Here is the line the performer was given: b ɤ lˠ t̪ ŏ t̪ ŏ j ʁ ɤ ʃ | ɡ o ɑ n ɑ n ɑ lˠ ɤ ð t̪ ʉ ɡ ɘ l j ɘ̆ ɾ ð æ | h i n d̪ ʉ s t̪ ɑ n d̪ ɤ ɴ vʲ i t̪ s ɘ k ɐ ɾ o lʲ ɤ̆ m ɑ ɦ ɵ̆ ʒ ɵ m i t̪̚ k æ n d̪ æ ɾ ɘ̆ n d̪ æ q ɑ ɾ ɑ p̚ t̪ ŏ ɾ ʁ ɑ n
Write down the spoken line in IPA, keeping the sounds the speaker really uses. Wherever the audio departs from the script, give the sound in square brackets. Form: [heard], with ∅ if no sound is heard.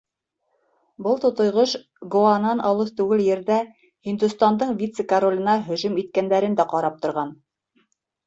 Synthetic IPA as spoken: b ɤ lˠ t̪ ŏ t̪ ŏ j ʁ ɤ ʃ | ɡ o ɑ n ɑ n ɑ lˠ ɤ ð t̪ ʉ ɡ ɘ l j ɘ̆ ɾ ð æ | h i n d̪ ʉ s t̪ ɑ n d̪ ɤ ɴ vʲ i t̪ s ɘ k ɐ ɾ o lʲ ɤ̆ [n] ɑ ɦ ɵ̆ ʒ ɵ m i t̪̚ k æ n d̪ æ ɾ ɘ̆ n d̪ æ q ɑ ɾ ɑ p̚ t̪ ŏ ɾ ʁ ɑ n